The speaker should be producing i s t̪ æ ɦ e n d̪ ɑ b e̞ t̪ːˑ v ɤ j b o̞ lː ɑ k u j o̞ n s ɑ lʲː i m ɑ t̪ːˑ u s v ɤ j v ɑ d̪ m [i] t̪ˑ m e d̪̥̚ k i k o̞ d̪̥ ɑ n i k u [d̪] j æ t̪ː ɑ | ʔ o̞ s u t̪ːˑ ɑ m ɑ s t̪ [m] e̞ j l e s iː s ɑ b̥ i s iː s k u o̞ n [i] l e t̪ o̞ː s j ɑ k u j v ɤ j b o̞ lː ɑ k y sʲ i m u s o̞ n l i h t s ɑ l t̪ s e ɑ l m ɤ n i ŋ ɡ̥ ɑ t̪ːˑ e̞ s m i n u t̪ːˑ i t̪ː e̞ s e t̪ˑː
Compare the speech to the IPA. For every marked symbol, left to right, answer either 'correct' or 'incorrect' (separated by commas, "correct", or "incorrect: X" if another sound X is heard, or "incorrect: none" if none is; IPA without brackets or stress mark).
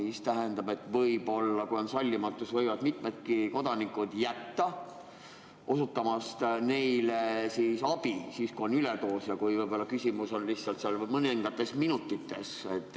correct, correct, incorrect: n, incorrect: y